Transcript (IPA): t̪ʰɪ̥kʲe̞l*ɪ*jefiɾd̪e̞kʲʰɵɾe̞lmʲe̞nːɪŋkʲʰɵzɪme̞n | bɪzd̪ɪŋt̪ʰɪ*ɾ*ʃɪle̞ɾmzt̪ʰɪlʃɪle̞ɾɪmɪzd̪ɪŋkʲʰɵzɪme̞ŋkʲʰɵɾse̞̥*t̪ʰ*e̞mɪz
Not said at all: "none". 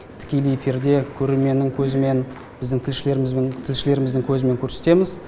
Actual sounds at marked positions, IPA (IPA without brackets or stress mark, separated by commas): i, l, t̪